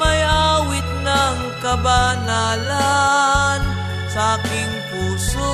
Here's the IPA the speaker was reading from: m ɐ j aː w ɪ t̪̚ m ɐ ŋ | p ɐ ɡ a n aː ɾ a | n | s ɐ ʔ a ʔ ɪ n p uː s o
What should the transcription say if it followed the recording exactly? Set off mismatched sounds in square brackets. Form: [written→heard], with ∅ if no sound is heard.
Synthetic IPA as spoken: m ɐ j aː w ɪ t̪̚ [m→n] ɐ ŋ | [p→k] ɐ [ɡ→b] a n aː [ɾ→l] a | n | s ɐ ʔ a [ʔ→k] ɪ [n→ŋ] p uː s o